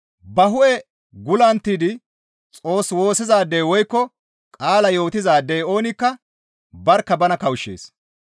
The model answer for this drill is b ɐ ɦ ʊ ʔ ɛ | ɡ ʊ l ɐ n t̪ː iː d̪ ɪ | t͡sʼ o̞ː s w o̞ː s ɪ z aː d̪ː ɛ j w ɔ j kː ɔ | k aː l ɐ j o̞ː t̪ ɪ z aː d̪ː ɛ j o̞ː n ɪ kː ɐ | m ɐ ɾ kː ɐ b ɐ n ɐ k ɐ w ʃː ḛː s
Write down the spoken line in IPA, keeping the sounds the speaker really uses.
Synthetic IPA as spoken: b ɐ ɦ ʊ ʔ ɛ | ɡ ʊ l ɐ n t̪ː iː d̪ ɪ | t͡sʼ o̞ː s w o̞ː s ɪ z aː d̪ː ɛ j w ɔ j kː ɔ | kʼ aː l ɐ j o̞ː t̪ ɪ z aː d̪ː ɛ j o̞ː n ɪ kː ɐ | b ɐ ɾ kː ɐ b ɐ n ɐ k ɐ w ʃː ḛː s